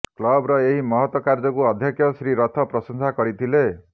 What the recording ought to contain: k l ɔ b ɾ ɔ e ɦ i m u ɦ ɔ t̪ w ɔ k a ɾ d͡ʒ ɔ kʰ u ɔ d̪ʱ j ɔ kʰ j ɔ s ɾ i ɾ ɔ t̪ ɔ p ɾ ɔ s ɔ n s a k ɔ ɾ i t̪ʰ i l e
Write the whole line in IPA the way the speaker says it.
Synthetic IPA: k l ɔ b ɾ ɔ e ɦ i m ɔ ɦ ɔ t̪ w ɔ k a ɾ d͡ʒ ɔ k u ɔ d̪ʱ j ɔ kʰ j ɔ s ɾ i ɾ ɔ t̪ʰ ɔ p ɾ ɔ s ɔ n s a k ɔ ɾ i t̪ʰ i l e